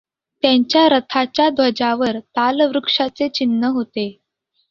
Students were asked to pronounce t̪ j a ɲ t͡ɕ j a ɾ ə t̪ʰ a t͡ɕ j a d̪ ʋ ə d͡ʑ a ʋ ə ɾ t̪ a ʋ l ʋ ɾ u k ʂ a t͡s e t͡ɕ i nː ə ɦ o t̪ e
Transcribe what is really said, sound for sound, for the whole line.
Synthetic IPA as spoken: t̪ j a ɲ t͡ɕ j a ɾ ə t̪ʰ a t͡ɕ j a d̪ ʋ ə d͡ʑ a ʋ ə ɾ t̪ a l ʋ ɾ u k ʂ a t͡s e t͡ɕ i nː ə ɦ o t̪ e